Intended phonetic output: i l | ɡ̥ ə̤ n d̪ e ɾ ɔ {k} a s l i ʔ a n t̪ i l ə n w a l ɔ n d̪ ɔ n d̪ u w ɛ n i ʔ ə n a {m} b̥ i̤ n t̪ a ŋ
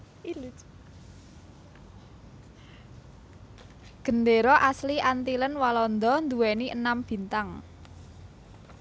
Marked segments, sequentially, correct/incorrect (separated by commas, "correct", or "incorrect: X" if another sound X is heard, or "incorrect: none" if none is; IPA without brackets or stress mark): incorrect: ʔ, correct